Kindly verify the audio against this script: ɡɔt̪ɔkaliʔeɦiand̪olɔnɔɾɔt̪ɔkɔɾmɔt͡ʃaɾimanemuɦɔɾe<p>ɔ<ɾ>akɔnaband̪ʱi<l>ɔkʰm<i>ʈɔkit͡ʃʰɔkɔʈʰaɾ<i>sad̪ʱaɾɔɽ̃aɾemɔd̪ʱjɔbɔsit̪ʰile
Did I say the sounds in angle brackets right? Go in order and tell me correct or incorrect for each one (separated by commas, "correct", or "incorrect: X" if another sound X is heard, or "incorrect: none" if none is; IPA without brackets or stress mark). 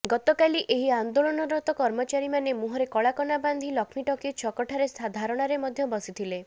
incorrect: k, incorrect: ɭ, correct, correct, incorrect: e